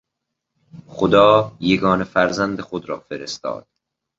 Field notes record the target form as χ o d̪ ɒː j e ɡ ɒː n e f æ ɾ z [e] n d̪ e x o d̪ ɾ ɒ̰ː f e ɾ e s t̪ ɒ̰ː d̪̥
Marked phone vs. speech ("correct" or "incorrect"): incorrect